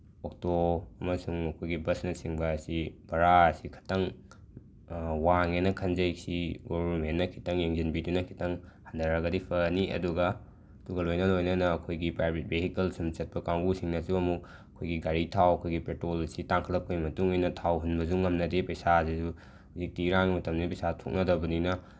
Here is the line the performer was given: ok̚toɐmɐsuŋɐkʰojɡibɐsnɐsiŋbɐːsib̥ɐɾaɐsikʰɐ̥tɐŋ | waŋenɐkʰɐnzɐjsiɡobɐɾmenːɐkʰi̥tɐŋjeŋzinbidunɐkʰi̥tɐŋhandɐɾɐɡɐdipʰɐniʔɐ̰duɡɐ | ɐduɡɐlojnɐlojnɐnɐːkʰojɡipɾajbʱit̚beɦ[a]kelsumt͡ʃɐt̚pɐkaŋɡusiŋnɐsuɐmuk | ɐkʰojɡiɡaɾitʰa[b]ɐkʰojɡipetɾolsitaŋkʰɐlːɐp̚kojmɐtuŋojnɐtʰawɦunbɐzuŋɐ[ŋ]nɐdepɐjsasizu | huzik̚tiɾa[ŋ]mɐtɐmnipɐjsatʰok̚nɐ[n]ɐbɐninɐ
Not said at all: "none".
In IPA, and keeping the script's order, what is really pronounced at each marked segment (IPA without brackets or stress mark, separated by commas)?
i, w, m, ŋ, d